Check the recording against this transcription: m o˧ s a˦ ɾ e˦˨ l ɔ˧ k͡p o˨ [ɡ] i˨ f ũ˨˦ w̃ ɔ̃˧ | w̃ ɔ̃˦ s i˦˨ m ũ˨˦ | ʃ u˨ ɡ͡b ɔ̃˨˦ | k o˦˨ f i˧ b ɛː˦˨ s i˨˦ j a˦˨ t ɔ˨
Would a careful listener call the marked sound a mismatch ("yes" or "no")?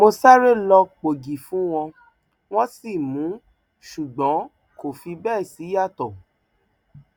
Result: no